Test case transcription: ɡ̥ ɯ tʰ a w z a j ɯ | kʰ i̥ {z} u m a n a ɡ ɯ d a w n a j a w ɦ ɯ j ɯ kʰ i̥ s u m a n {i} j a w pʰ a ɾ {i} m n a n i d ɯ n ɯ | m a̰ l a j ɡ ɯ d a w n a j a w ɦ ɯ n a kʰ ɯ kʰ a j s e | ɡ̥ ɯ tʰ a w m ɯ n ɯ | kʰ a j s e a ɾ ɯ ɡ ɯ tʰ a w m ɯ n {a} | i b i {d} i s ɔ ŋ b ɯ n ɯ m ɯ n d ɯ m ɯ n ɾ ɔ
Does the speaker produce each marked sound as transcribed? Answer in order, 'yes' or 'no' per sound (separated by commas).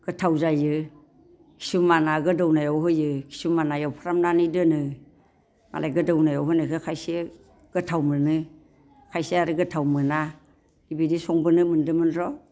no, no, no, yes, yes